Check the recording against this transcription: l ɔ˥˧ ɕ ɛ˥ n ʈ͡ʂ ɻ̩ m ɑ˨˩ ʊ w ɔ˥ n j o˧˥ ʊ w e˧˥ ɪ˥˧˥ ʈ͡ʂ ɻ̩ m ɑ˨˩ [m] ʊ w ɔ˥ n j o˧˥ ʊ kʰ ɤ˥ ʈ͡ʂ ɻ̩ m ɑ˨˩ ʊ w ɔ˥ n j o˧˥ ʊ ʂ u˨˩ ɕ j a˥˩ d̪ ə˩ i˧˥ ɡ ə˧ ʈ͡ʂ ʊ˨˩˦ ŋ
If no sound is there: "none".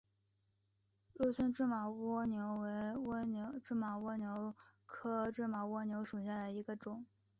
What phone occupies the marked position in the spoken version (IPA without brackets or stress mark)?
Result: none